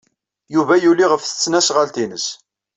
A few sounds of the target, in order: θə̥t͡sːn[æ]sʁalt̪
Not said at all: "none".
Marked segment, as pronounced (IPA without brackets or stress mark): æ